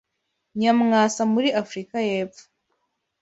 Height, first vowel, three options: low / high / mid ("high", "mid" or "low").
low